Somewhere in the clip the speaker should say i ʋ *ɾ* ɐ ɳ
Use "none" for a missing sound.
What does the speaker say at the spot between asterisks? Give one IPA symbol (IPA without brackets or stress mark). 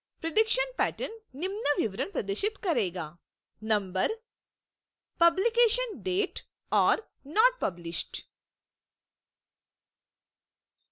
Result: ɾ